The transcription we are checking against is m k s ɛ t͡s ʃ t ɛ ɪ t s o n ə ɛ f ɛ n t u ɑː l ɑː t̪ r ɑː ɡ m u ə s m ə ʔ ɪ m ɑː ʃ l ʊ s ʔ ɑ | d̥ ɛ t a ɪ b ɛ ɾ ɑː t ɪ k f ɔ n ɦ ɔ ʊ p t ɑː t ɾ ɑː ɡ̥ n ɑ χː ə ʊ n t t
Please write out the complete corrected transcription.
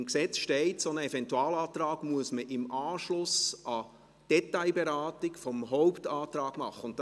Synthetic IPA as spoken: m k s ɛ t͡s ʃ t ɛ ɪ t s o n ə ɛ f ɛ n t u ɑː l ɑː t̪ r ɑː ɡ m u ə s m ə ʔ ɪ m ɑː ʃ l ʊ s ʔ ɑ | d̥ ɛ t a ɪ b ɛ ɾ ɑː t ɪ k f ɔ m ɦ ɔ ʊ p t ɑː t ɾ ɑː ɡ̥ m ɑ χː ə ʊ n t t